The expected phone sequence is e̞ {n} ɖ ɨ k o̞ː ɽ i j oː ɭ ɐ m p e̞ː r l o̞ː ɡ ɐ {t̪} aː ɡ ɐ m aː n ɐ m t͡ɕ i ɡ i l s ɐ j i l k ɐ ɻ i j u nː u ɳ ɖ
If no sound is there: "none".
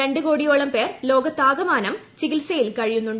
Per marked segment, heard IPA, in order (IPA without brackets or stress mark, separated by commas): ɳ, t̪